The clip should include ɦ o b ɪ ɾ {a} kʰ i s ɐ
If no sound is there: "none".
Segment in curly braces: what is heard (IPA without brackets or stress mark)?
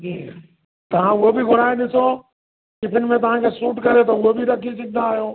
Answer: ɐ